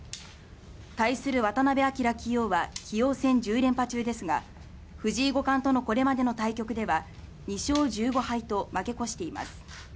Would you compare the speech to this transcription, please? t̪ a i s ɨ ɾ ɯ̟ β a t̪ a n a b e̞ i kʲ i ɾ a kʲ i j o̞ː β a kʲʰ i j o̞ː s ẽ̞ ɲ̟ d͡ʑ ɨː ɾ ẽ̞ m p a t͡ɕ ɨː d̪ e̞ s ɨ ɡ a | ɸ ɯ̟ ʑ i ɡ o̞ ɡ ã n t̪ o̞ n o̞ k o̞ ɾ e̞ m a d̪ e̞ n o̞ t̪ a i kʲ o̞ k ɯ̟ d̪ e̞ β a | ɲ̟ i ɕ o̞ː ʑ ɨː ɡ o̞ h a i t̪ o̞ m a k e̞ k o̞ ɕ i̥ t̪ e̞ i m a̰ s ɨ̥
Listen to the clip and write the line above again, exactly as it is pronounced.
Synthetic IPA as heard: t̪ a i s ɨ ɾ ɯ̟ β a t̪ a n a b e̞ a kʲ i ɾ a kʲ i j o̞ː β a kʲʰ i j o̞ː s ẽ̞ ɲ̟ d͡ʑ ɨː ɾ ẽ̞ m p a t͡ɕ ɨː d̪ e̞ s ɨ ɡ a | ɸ ɯ̟ ʑ iː ɡ o̞ k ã n t̪ o̞ n o̞ k o̞ ɾ e̞ m a d̪ e̞ n o̞ t̪ a i kʲ o̞ k ɯ̟ d̪ e̞ β a | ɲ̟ i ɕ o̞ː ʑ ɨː ɡ o̞ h a i t̪ o̞ m a k e̞ k o̞ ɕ i̥ t̪ e̞ i m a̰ s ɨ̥